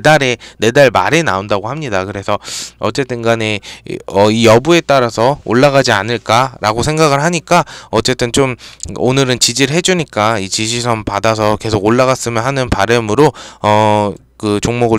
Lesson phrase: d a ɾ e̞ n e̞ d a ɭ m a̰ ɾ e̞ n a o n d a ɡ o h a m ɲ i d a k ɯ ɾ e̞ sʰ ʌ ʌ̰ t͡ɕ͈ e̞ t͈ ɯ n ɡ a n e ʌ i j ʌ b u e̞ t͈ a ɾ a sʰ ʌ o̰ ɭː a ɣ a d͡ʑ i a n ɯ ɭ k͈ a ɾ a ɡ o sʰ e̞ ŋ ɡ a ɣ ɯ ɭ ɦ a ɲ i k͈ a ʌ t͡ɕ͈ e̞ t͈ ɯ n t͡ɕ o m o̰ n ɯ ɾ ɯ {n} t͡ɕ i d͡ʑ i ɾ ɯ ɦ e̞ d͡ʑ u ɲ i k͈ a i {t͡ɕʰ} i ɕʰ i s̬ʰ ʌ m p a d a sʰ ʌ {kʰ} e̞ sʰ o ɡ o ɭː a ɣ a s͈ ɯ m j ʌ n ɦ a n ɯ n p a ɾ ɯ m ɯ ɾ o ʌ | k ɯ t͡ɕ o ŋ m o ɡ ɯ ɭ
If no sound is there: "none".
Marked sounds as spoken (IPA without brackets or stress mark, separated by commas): n, t͡ɕ, k